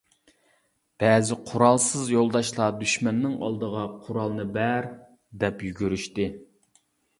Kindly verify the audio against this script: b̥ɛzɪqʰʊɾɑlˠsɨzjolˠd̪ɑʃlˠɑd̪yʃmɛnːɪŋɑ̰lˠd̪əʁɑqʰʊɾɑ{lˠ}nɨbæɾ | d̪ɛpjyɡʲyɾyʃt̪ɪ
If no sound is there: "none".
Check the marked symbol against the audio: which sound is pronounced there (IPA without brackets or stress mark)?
lˠ